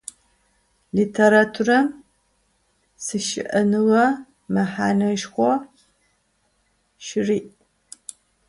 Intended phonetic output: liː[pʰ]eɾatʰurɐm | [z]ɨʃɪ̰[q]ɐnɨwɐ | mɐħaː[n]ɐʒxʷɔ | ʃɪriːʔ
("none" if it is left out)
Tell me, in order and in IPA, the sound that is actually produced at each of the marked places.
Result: tʰ, s, ʔ, n

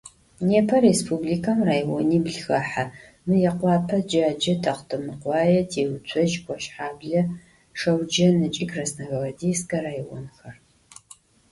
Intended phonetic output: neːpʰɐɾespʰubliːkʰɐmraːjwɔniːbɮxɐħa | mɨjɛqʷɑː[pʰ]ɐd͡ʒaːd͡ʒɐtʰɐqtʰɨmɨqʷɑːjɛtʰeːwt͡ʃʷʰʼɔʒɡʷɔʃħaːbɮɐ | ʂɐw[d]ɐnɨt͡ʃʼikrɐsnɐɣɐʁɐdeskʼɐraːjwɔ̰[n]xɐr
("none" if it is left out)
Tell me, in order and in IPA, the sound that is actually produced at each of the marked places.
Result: pʰ, d͡ʒ, n

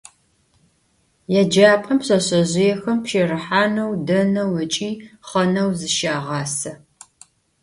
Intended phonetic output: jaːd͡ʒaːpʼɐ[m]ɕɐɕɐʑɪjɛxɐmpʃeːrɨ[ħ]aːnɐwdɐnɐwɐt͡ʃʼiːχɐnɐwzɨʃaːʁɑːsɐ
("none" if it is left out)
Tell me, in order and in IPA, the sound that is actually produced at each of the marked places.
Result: m, ħ

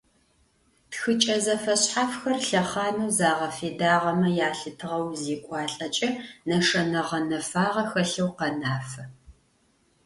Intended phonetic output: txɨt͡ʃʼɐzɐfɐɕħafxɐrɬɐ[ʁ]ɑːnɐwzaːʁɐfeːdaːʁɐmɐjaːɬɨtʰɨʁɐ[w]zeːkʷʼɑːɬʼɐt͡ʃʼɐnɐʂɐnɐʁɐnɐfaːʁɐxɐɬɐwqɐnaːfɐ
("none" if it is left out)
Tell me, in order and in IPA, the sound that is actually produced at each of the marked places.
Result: χ, w

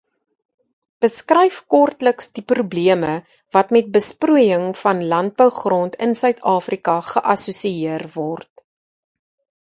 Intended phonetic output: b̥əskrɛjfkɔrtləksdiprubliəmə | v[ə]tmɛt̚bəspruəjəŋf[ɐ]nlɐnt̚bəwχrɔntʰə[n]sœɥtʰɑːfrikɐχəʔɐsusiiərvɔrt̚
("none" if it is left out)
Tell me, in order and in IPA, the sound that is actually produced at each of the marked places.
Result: ɐ, ɐ, n

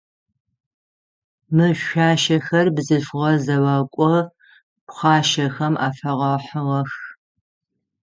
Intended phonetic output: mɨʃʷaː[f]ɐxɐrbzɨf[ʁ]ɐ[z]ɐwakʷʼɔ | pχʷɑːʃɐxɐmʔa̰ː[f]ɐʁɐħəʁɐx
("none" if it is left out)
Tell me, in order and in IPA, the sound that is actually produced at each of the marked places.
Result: ʃ, ʁ, z, f

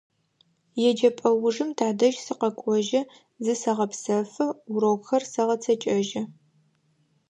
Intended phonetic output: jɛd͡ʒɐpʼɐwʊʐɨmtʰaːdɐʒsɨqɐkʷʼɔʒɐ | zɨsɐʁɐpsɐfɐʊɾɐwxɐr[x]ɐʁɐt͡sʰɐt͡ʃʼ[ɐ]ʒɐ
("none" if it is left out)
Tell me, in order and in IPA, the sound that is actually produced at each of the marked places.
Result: s, ɐ

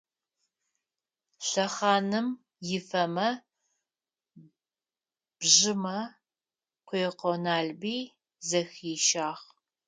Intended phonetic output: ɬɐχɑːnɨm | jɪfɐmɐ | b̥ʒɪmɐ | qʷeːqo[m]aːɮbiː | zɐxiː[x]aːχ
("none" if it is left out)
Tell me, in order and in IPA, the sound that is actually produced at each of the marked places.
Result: n, ʃ

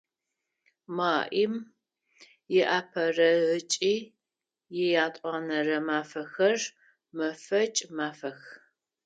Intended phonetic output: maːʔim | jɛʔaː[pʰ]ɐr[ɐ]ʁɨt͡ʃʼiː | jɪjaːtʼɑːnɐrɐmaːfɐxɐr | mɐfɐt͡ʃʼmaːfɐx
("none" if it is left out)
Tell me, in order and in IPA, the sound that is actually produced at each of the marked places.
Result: pʰ, ɐ

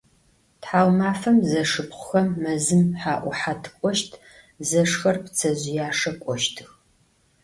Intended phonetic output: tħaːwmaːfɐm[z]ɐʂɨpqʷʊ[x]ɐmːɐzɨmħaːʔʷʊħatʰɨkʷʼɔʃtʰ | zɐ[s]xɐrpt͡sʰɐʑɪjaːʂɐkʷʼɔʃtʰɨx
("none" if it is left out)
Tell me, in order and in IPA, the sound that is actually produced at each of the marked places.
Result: z, x, ʂ

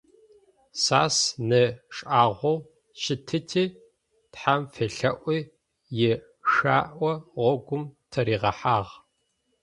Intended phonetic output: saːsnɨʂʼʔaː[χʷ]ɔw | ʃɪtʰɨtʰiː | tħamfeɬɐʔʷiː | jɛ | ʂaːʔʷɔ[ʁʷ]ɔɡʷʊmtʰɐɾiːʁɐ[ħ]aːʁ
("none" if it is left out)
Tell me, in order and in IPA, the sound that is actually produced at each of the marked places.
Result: ʁʷ, ʁʷ, ħ

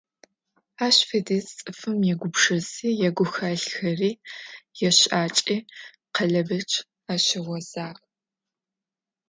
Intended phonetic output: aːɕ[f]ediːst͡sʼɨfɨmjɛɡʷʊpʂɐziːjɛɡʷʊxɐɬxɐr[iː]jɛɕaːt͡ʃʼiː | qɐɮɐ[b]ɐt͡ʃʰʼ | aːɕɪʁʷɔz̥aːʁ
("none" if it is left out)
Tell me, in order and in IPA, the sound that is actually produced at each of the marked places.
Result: f, iː, b

